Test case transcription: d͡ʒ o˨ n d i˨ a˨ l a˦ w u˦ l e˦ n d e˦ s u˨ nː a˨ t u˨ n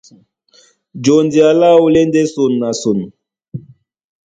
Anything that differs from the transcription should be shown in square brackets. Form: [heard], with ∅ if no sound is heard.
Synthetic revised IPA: d͡ʒ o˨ n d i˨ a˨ l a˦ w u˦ l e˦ n d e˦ s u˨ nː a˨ [s] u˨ n